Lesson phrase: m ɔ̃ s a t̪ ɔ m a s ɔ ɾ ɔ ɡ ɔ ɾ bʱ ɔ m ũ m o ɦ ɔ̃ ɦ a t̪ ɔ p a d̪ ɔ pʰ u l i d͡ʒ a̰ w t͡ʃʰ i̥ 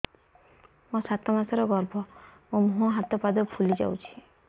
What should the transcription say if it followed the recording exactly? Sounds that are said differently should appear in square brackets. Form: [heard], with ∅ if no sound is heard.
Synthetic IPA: m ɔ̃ s a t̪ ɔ m a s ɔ ɾ ɔ ɡ ɔ ɾ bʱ ɔ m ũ m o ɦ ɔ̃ ɦ a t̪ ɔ p a d̪ ɔ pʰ u l i d͡ʒ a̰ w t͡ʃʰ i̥

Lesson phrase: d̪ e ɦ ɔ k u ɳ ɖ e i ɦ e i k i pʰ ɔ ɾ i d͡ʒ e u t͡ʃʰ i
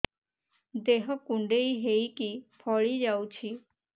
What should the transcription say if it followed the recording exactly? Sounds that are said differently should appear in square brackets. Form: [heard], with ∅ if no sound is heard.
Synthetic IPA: d̪ e ɦ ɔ k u ɳ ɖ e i ɦ e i k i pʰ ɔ [ɭ] i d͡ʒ [a] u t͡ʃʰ i

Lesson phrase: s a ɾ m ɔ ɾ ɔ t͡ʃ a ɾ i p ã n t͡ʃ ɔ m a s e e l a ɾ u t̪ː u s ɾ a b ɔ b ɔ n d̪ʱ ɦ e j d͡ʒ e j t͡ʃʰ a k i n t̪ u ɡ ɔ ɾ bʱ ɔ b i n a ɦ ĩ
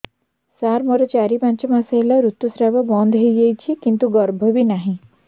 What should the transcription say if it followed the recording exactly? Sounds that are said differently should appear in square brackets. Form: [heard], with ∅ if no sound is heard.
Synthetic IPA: s a ɾ m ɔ ɾ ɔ t͡ʃ a ɾ i p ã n t͡ʃ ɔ m a s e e l a ɾ u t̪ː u s ɾ a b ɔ b ɔ n d̪ʱ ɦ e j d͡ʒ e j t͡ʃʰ [i] k i n t̪ u ɡ ɔ ɾ bʱ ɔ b i n a ɦ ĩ

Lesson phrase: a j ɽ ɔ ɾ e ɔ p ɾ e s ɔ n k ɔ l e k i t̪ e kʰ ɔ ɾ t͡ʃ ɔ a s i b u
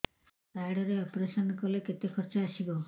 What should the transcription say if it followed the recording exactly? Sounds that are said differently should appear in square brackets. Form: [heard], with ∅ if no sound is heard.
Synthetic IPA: a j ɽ ɔ ɾ e ɔ p ɾ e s ɔ n k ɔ l e k [e] t̪ e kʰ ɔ ɾ t͡ʃ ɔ a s i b [ɔ]

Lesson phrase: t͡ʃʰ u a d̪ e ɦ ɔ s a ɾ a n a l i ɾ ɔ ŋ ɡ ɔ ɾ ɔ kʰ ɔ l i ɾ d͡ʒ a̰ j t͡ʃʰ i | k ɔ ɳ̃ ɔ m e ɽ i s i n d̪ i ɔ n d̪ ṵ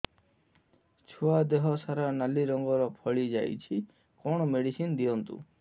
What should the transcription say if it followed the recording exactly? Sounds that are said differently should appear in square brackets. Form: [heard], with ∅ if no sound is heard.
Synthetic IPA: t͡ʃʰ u a d̪ e ɦ ɔ s a ɾ a n a l i ɾ ɔ ŋ ɡ ɔ ɾ ɔ [pʰ] ɔ [ɭ] i [∅] d͡ʒ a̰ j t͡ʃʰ i | k ɔ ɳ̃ ɔ m e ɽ i s i n d̪ i ɔ n [t̪] ṵ

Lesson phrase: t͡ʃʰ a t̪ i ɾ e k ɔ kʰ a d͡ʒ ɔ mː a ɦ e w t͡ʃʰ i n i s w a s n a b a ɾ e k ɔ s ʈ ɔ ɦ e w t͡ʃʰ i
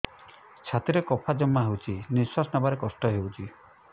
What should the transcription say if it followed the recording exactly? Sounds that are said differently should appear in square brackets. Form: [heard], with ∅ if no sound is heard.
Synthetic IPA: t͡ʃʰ a t̪ i ɾ e k ɔ [pʰ] a d͡ʒ ɔ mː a ɦ e w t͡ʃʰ i n i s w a s n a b a ɾ e k ɔ s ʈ ɔ ɦ e w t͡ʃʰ i

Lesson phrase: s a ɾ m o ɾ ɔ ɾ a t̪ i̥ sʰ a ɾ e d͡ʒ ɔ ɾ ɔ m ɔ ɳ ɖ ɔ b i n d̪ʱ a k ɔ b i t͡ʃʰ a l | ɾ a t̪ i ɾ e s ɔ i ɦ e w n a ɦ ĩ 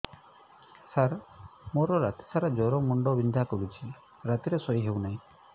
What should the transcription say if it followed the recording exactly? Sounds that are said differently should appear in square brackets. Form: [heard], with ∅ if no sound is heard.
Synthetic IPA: s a ɾ m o ɾ ɔ ɾ a t̪ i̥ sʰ a ɾ [a] d͡ʒ ɔ ɾ ɔ m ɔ ɳ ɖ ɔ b i n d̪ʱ a k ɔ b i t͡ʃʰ [i] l | ɾ a t̪ i ɾ e s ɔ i ɦ e w n a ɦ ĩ

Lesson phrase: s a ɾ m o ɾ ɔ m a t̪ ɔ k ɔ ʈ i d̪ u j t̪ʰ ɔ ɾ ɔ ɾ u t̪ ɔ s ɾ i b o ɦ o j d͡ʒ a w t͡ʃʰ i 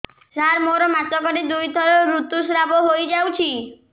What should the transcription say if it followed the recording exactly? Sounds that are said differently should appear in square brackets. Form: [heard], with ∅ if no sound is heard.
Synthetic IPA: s a ɾ m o ɾ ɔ m a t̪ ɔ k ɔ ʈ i d̪ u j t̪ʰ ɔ ɾ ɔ ɾ u t̪ [u] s ɾ [a] b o ɦ o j d͡ʒ a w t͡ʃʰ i

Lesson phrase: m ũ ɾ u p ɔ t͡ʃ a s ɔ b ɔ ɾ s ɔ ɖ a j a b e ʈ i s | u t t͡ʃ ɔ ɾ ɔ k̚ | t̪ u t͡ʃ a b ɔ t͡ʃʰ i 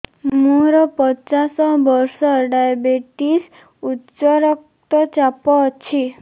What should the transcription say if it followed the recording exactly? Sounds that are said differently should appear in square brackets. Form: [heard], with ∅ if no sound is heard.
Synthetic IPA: m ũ ɾ [ɔ] p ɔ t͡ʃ a s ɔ b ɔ ɾ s ɔ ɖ a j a b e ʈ i s | u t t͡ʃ ɔ ɾ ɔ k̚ | t̪ [ɔ] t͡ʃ a [p] ɔ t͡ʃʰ i

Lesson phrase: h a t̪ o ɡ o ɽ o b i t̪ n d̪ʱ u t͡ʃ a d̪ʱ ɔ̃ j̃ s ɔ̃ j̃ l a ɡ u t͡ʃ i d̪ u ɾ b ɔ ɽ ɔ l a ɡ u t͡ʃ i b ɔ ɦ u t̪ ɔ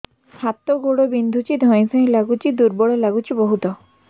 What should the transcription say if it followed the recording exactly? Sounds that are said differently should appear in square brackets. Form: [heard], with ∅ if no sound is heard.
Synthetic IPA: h a t̪ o ɡ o ɽ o b i [∅] n d̪ʱ u t͡ʃ [i] d̪ʱ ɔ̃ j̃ s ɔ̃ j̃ l a ɡ u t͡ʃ i d̪ u ɾ b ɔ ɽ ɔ l a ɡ u t͡ʃ i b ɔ ɦ u t̪ ɔ

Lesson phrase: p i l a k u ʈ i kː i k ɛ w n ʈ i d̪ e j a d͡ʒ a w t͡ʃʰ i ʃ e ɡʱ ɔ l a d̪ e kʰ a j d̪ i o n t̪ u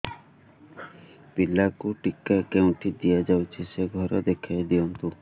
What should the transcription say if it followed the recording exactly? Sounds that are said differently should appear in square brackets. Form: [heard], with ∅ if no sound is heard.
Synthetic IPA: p i l a k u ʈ i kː [a] k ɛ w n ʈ i d̪ [i] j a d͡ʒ a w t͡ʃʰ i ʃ e ɡʱ ɔ [ɾ] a d̪ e kʰ a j d̪ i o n t̪ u

